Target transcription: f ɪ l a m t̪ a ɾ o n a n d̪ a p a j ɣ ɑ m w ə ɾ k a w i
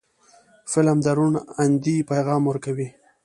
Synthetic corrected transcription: f ɪ l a m d̪ a ɾ u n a n d̪ i p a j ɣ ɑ m w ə ɾ k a w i